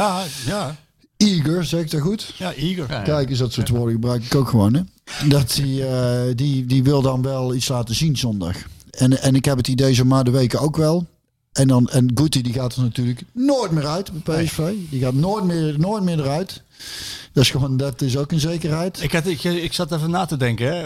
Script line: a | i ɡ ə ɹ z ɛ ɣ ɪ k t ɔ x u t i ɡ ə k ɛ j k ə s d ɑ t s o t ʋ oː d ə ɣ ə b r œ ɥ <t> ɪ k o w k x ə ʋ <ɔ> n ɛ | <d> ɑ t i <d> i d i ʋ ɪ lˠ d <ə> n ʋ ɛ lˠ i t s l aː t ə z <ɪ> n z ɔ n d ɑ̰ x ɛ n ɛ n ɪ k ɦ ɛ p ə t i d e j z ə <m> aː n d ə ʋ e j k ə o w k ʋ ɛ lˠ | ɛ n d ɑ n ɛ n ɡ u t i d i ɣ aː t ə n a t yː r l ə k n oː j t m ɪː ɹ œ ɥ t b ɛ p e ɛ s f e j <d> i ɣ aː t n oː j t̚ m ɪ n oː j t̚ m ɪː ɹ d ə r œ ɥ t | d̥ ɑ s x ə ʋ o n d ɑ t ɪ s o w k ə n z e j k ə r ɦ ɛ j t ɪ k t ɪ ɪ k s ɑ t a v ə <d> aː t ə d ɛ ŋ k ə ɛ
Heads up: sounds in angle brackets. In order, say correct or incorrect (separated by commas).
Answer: incorrect, incorrect, correct, correct, incorrect, incorrect, correct, correct, incorrect